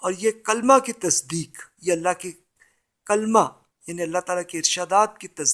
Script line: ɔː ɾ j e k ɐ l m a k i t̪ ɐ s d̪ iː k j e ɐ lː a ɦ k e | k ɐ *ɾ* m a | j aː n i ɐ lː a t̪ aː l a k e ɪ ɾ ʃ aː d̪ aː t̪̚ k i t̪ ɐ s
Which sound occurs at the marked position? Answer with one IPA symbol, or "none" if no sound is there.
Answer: l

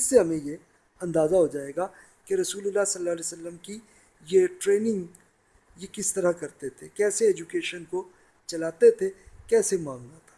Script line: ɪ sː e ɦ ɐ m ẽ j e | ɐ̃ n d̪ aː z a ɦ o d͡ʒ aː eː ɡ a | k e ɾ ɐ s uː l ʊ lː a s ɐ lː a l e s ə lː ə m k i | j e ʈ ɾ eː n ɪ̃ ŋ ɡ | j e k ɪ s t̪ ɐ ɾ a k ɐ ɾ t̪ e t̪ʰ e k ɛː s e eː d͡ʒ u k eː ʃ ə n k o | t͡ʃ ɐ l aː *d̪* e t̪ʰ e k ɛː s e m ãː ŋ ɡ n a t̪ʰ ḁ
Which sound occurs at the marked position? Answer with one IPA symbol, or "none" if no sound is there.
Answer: t̪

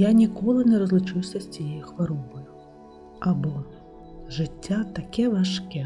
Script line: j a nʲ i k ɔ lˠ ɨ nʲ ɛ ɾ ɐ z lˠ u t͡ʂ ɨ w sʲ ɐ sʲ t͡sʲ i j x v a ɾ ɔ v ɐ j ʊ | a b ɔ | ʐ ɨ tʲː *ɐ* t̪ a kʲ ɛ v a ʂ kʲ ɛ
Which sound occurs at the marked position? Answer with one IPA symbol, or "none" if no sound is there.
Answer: a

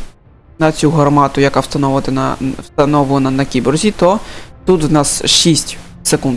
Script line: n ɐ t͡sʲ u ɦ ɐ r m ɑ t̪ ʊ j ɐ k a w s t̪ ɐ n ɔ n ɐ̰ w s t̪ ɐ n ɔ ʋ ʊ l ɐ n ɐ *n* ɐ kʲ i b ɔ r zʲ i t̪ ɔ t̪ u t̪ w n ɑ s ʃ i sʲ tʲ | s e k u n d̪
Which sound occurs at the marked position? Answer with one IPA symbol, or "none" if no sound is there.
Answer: n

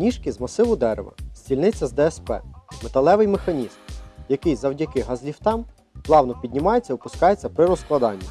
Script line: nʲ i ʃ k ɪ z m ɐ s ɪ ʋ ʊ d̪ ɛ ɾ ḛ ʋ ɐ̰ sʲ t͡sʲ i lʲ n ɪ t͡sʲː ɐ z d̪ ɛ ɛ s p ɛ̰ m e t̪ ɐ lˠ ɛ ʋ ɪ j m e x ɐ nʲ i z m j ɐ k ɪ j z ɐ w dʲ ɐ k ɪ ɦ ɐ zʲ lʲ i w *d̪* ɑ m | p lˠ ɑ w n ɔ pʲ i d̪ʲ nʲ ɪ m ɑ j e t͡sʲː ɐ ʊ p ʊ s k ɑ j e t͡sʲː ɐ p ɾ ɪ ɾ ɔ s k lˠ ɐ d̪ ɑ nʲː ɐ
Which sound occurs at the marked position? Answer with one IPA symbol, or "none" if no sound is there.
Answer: t̪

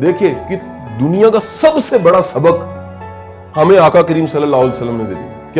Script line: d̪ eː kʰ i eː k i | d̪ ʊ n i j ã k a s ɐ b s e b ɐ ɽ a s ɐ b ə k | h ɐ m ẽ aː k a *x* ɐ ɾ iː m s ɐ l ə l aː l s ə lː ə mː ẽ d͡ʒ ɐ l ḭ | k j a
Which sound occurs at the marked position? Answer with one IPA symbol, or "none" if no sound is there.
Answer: k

